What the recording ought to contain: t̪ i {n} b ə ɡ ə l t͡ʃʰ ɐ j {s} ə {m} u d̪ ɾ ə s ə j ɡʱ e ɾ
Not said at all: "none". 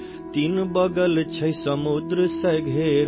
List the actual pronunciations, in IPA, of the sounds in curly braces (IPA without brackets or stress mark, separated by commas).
n, s, m